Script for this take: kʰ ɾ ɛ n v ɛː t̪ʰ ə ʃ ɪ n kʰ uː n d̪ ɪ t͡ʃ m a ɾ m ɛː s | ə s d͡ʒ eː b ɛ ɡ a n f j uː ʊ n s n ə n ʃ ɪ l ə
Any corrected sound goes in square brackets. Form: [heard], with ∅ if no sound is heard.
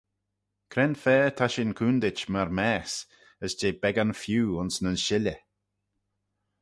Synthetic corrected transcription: kʰ ɾ ɛ n [f] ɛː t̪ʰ [a] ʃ ɪ n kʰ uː n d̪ ɪ t͡ʃ m a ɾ m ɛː s | ə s d͡ʒ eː b ɛ ɡ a n f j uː ʊ n s n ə n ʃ ɪ l ə